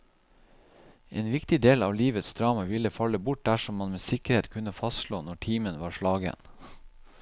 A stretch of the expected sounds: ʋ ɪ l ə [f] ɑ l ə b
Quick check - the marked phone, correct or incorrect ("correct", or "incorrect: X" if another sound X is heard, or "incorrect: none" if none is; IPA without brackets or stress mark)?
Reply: correct